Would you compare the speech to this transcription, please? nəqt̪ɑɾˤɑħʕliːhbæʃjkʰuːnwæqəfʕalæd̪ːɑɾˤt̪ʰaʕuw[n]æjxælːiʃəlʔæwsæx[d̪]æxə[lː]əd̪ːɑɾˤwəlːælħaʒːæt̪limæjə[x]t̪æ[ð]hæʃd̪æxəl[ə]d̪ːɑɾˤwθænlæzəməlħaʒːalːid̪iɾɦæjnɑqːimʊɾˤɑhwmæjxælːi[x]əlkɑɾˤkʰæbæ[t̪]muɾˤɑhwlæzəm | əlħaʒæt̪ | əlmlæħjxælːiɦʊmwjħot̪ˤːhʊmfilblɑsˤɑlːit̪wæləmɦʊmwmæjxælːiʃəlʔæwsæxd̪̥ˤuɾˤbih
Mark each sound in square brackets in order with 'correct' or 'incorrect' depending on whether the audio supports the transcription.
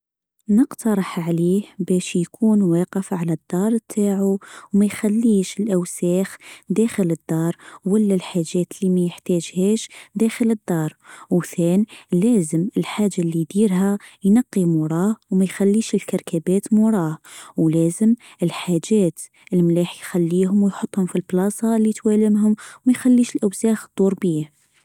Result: incorrect: m, correct, incorrect: l, incorrect: ħ, incorrect: ʒ, correct, incorrect: ʃ, correct

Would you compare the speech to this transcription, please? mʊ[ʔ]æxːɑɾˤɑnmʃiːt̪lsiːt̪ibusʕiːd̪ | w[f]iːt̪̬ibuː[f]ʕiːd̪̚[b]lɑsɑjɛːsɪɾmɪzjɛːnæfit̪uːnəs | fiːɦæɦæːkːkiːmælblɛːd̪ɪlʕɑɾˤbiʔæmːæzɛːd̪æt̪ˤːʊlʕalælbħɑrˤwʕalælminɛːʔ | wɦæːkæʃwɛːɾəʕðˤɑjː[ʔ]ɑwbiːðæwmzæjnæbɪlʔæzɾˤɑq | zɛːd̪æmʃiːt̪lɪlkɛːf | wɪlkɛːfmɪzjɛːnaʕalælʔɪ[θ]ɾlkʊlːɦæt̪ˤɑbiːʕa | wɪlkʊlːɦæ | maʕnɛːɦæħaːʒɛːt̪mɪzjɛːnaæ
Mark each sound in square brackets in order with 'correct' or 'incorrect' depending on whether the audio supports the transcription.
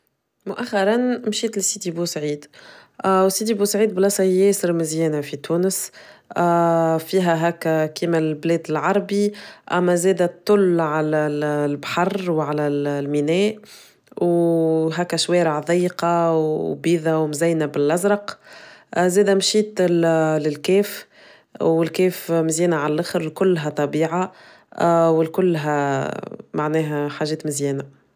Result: correct, incorrect: s, incorrect: s, correct, incorrect: q, incorrect: x

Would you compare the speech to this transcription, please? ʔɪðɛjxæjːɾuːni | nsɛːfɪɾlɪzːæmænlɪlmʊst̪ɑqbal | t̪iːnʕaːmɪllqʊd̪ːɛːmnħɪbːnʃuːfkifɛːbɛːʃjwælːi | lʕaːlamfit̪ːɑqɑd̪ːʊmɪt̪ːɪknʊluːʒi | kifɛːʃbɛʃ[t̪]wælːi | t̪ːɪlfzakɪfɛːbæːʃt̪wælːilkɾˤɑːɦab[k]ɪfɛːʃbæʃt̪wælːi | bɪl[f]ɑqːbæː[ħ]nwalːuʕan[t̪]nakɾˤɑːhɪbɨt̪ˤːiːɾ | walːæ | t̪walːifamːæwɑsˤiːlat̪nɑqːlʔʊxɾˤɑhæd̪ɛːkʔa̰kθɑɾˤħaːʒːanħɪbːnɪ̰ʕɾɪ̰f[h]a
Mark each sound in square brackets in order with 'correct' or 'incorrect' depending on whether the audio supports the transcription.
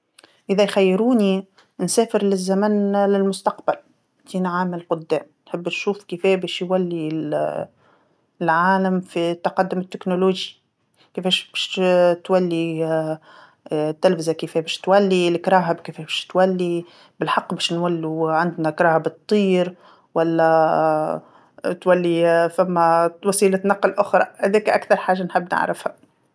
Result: correct, correct, incorrect: ħ, incorrect: ʃ, incorrect: d̪, correct

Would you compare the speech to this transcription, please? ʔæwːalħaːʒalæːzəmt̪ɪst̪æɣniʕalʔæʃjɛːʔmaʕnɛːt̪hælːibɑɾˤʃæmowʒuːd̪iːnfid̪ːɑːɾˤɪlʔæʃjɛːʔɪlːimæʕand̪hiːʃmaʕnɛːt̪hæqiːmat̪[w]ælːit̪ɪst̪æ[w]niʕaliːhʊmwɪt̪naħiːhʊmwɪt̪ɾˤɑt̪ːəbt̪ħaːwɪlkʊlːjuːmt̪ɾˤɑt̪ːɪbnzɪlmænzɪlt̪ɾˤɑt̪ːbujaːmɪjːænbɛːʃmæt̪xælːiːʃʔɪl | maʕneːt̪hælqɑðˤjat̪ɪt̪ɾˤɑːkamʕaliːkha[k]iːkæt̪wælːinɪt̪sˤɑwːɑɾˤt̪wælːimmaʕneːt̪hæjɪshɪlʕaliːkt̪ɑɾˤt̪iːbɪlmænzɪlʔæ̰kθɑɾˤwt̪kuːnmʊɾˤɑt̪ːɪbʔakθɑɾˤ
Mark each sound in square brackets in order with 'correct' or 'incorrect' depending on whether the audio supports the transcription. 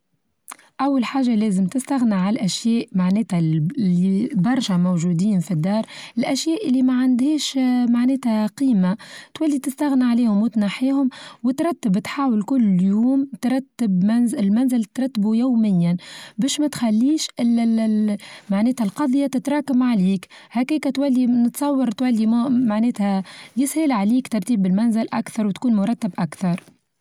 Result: correct, incorrect: ɣ, correct

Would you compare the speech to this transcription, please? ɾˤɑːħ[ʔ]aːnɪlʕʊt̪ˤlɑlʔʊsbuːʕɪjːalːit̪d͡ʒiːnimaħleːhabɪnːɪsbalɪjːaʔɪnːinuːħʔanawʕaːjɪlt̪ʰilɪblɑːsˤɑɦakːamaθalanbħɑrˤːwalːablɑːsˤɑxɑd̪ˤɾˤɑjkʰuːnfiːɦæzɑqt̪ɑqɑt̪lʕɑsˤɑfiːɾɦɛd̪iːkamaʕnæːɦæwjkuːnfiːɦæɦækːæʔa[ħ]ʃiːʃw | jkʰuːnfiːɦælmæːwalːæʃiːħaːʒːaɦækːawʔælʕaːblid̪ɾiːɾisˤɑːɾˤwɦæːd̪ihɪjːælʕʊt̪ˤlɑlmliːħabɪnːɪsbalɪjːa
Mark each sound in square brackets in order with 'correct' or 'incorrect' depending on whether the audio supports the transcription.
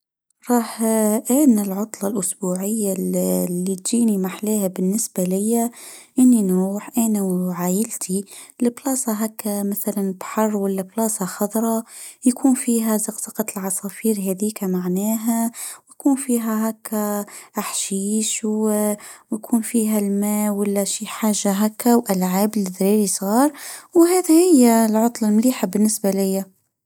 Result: correct, correct

